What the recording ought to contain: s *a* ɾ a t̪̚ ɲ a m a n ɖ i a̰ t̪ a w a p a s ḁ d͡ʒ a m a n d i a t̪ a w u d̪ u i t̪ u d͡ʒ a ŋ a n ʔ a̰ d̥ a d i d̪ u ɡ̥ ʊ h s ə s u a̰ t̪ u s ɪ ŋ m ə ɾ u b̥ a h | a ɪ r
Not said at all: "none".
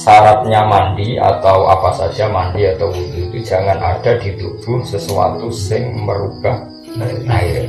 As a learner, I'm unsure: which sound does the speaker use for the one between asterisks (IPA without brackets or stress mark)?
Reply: a